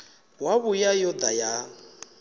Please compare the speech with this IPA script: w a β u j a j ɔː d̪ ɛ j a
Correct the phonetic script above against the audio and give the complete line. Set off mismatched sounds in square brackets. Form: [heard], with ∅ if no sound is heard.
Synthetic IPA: w a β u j a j [ɔ] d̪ [a] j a